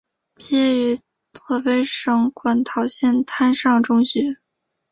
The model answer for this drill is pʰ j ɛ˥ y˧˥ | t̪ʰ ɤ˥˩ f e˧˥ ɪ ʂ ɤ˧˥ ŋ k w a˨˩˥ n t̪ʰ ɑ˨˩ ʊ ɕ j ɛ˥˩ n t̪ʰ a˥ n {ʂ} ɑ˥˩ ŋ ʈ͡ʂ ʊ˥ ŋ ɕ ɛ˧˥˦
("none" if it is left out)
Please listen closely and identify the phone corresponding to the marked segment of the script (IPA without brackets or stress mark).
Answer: ʂ